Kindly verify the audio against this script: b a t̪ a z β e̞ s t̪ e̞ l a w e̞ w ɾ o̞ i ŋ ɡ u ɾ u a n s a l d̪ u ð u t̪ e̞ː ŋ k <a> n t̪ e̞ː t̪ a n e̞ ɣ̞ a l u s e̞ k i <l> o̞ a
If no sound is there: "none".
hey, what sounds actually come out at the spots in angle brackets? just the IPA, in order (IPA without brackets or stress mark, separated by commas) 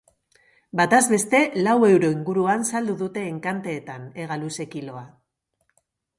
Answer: a, l